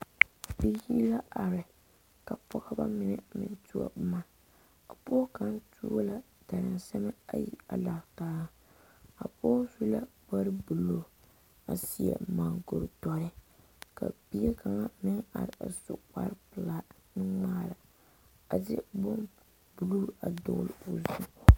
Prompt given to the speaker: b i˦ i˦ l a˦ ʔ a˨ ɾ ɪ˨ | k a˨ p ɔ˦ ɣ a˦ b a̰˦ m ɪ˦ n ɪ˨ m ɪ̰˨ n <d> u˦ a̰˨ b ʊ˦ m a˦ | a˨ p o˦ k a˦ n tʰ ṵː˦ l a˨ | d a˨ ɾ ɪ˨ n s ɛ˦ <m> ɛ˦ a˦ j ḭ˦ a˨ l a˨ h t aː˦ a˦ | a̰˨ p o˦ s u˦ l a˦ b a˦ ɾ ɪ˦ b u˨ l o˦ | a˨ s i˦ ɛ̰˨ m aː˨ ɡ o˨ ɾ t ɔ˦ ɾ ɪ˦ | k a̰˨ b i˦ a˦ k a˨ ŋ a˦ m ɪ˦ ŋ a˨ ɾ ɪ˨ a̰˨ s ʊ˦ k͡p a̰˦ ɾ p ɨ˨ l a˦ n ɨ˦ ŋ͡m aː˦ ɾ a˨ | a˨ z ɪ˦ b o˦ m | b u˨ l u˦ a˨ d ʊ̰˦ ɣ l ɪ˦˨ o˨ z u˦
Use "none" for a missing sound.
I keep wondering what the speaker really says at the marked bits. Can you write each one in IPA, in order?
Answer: t, m

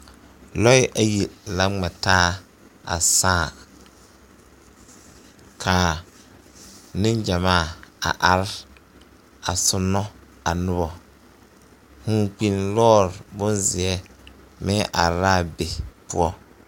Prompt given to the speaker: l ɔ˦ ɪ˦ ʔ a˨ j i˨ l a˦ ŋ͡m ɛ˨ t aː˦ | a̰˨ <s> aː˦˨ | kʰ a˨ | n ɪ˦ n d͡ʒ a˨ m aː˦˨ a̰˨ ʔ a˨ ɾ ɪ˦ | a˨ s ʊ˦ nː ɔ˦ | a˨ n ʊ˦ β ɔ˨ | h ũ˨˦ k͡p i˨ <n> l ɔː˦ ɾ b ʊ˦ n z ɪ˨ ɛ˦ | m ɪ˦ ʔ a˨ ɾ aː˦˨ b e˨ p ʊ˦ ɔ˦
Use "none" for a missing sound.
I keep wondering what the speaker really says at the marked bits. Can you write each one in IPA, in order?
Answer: s, n

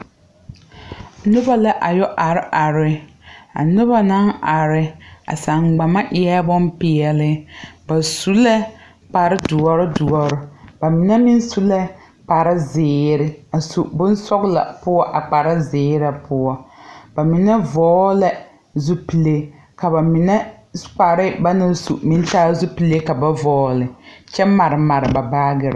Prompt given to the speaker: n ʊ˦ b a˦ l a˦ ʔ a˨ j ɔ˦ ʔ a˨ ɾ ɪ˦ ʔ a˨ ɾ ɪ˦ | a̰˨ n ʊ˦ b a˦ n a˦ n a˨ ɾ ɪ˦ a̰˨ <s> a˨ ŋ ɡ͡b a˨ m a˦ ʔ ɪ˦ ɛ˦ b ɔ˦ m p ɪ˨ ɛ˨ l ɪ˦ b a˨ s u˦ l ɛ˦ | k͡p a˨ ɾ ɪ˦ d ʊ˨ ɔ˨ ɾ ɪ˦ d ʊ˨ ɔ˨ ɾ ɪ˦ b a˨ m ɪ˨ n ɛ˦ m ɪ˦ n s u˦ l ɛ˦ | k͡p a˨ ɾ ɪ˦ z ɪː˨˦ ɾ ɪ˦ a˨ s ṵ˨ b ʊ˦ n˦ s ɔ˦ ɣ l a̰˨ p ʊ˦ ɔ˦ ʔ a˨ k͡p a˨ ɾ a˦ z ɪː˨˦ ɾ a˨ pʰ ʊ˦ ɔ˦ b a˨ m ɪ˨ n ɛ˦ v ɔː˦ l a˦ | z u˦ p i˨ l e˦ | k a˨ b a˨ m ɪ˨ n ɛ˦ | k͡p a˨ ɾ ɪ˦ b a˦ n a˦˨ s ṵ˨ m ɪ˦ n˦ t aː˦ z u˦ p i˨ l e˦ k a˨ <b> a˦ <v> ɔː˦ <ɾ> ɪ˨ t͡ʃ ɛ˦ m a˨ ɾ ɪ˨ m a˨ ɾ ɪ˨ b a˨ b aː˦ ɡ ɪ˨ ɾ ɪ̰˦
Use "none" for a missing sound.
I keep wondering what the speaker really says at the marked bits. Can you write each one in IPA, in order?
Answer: s, b, v, l

